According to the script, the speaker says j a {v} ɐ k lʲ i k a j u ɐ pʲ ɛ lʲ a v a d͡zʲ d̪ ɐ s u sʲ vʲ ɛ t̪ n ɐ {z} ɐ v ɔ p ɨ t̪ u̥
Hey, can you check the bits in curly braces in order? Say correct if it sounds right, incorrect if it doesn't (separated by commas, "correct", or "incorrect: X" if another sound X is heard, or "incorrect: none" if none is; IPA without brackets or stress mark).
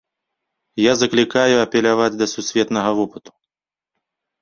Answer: incorrect: z, incorrect: ɣ